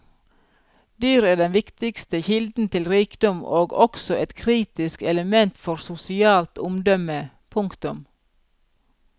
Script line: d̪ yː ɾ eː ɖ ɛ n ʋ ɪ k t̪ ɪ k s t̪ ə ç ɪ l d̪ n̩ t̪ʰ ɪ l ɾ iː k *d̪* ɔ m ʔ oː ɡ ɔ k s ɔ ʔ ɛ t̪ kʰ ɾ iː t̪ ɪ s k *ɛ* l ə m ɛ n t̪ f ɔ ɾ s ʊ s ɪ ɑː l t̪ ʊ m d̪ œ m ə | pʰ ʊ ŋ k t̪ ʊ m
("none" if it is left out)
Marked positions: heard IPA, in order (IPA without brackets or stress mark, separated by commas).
d̪, ɛ